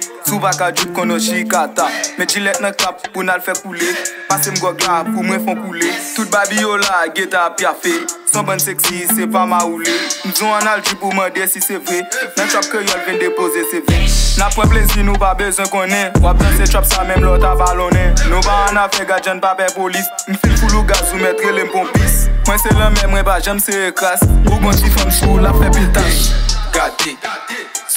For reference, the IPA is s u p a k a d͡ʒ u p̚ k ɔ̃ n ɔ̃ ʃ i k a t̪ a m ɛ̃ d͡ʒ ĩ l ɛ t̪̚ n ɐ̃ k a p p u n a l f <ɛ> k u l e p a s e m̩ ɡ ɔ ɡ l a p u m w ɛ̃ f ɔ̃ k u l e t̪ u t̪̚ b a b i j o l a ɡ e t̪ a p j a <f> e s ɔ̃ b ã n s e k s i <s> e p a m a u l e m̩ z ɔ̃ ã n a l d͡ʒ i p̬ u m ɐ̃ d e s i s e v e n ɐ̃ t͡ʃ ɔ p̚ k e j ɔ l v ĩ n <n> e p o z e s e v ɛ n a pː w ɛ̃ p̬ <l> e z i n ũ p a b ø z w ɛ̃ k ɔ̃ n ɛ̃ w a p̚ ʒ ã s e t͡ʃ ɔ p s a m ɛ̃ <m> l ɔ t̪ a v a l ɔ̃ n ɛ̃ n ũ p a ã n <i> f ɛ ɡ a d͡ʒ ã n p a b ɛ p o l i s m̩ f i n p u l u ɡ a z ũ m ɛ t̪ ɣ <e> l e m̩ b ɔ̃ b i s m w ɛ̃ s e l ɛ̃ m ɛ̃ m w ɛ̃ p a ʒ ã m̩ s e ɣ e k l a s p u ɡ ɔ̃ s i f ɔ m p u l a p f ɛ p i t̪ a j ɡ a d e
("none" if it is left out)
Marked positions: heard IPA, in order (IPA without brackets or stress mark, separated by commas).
ɛ, f, s, d, l, m, a, e